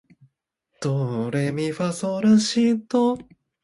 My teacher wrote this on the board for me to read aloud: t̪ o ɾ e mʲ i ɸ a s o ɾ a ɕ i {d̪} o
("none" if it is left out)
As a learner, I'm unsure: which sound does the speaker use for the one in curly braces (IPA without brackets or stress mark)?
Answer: t̪